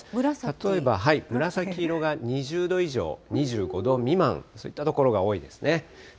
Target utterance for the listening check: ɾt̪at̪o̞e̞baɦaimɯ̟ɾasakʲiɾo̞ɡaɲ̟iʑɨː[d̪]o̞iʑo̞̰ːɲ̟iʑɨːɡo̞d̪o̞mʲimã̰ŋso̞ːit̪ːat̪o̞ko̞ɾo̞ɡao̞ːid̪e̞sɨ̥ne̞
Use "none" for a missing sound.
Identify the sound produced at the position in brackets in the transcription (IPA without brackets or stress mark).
d̪